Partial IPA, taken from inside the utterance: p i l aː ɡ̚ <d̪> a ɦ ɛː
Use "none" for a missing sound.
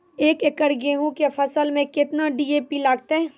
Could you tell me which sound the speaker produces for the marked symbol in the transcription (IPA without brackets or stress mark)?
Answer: t̪